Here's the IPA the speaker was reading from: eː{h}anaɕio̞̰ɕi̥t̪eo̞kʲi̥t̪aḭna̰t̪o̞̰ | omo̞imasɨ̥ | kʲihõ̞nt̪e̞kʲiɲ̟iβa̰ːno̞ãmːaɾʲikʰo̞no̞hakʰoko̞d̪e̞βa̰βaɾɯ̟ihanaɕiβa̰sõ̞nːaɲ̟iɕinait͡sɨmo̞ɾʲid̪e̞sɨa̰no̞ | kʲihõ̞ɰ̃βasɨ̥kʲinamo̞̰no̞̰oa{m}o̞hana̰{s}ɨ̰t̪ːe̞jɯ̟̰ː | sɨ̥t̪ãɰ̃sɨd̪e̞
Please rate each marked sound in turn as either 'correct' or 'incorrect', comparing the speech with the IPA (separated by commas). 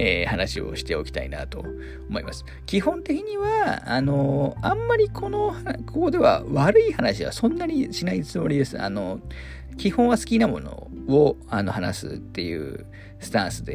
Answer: correct, incorrect, correct